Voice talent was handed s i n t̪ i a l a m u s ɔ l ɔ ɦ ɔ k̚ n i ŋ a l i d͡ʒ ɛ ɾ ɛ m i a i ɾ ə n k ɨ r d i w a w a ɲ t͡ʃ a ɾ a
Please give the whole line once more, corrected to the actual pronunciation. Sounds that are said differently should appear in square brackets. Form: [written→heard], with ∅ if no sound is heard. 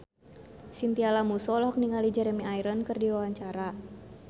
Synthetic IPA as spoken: s i n t̪ i a l a m u s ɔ l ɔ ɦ ɔ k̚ n i ŋ a l i d͡ʒ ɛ ɾ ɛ m i a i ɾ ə n k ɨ r d i w a w a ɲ t͡ʃ a ɾ a